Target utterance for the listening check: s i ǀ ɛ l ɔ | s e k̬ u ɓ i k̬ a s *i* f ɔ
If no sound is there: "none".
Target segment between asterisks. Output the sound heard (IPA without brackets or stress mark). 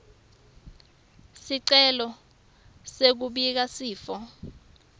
iː